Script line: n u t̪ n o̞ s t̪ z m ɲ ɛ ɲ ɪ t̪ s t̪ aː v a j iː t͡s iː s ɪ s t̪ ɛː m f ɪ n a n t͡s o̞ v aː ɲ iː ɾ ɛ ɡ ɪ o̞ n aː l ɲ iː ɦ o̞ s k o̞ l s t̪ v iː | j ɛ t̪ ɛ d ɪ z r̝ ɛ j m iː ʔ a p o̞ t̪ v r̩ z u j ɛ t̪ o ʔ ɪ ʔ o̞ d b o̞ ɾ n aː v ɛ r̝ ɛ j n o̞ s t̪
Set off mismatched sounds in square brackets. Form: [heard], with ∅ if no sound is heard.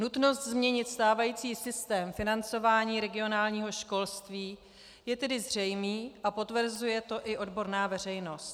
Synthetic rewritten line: n u t̪ n o̞ s t̪ z m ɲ ɛ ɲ ɪ t̪ s t̪ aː v a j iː t͡s iː s ɪ s t̪ ɛː m f ɪ n a n t͡s o̞ v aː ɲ iː ɾ ɛ ɡ ɪ o̞ n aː l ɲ iː ɦ o̞ [ʃ] k o̞ l s t̪ v iː | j ɛ t̪ ɛ d ɪ z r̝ ɛ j m iː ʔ a p o̞ t̪ v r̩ z u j ɛ t̪ o ʔ ɪ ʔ o̞ d b o̞ ɾ n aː v ɛ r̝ ɛ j n o̞ s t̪